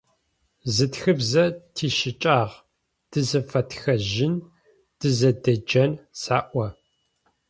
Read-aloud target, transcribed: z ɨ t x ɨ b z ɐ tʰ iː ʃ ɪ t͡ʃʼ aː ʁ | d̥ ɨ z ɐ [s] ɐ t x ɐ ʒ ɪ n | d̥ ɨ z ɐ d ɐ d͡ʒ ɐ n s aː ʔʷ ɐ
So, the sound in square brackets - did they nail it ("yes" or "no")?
no